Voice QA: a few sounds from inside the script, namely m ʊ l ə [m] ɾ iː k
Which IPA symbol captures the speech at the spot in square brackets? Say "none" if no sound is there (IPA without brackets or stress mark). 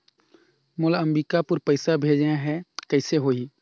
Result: m